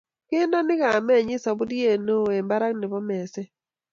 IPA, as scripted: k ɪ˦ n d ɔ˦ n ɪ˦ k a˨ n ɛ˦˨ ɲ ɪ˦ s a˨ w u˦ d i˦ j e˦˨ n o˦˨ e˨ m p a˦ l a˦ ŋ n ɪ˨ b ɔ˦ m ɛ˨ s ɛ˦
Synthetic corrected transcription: k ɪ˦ n d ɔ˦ n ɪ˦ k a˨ m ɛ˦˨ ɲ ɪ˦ s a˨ b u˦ d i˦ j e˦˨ n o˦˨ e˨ m b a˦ ɾ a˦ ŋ n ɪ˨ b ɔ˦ m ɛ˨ s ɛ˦